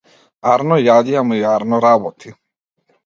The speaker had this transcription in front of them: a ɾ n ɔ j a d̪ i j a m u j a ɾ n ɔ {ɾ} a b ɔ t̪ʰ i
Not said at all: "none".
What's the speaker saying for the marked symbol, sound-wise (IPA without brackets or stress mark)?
ɾ